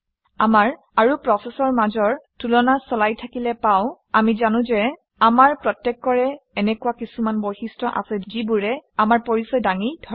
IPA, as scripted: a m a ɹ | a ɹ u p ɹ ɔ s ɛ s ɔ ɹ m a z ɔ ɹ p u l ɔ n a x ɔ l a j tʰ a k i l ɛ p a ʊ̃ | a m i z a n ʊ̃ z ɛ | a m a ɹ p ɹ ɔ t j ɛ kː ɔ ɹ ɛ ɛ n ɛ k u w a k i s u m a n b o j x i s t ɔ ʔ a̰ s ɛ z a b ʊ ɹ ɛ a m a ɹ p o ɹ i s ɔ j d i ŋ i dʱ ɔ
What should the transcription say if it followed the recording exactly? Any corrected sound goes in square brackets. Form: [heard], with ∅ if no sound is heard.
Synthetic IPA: a m a ɹ | a ɹ u p ɹ ɔ s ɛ s ɔ ɹ m a z ɔ ɹ [t] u l ɔ n a [s] ɔ l a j tʰ a k i l ɛ p a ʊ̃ | a m i z a n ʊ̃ z ɛ | a m a ɹ p ɹ ɔ t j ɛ kː ɔ ɹ ɛ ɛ n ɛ k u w a k i s u m a n b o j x i s t ɔ ʔ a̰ s ɛ z [i] b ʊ ɹ ɛ a m a ɹ p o ɹ i s ɔ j d [a] ŋ i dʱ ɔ